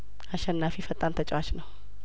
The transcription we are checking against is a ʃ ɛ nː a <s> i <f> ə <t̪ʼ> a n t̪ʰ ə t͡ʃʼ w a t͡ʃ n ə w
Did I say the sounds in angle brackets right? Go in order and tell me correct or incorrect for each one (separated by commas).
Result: incorrect, correct, correct